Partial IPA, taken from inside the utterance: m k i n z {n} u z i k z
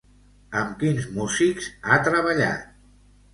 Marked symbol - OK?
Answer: no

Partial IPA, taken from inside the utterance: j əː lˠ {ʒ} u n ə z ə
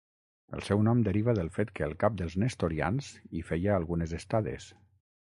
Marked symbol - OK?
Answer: no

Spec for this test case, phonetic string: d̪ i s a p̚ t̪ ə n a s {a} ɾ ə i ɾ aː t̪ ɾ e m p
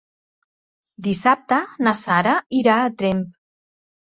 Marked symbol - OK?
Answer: yes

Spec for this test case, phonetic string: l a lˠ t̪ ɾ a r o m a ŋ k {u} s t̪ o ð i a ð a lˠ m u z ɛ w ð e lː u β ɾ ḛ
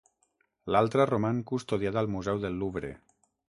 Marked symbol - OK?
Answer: yes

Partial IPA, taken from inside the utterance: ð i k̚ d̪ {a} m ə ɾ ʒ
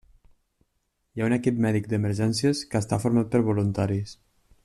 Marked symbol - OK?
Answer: no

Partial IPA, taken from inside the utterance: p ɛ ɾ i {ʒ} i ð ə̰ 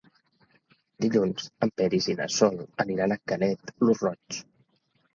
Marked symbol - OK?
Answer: no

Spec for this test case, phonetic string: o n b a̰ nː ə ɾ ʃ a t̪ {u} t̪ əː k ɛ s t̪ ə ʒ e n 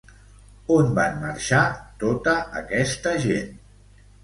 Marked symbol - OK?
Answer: no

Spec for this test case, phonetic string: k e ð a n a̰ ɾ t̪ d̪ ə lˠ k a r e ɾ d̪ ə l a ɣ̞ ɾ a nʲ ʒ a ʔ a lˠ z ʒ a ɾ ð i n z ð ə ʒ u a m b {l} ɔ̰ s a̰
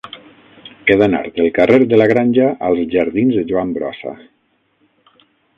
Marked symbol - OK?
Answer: no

